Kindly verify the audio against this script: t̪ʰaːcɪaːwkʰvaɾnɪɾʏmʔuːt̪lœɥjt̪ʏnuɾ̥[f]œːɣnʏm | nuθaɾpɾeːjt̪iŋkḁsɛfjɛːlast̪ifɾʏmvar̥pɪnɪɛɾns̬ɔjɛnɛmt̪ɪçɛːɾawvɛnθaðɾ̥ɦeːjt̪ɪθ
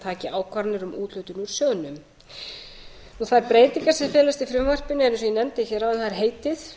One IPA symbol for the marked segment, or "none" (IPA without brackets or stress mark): s